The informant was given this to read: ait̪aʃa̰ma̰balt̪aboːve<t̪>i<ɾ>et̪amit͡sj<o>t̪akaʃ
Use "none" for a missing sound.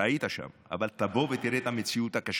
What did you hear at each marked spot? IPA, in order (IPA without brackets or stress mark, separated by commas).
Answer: t̪, ɾ, u